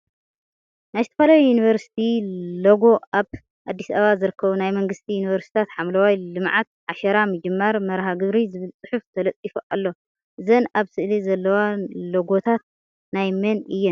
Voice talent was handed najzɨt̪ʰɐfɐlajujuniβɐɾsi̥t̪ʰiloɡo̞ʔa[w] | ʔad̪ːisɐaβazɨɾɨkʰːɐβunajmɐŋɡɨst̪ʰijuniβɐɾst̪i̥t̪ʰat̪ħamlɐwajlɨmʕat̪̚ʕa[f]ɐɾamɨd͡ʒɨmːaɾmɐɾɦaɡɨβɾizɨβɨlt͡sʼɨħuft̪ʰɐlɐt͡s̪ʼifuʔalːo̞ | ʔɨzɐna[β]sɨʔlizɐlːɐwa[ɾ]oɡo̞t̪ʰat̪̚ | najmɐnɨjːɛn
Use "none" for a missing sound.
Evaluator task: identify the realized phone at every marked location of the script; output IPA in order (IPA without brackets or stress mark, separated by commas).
β, ʃ, β, l